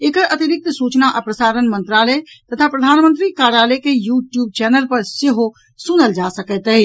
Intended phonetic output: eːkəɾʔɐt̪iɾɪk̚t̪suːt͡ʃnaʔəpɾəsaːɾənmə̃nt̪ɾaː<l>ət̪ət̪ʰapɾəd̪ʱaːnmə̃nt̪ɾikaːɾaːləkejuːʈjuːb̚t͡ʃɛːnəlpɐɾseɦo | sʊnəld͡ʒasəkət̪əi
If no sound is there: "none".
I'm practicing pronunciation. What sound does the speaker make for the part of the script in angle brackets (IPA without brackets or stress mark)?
l